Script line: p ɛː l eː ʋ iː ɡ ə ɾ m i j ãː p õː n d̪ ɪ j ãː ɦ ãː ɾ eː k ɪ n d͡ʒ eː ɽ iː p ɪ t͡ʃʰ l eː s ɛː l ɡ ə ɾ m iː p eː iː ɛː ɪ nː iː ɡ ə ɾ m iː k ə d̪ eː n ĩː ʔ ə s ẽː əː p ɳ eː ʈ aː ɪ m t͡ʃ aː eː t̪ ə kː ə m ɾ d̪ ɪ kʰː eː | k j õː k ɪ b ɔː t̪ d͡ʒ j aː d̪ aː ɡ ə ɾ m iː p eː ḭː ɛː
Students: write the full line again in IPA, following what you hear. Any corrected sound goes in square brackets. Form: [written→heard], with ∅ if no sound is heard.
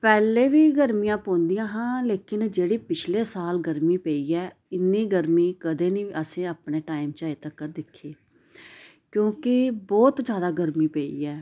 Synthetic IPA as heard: p ɛː l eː ʋ iː ɡ ə ɾ m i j ãː p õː n d̪ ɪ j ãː ɦ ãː [ɾ→l] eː k ɪ n d͡ʒ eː ɽ iː p ɪ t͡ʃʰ l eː s [ɛː→aː] l ɡ ə ɾ m iː p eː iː ɛː ɪ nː iː ɡ ə ɾ m iː k ə d̪ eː n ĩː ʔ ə s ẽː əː p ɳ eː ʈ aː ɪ m t͡ʃ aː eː t̪ ə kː ə [m→∅] ɾ d̪ ɪ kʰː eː | k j õː k ɪ b ɔː t̪ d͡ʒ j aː d̪ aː ɡ ə ɾ m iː p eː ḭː ɛː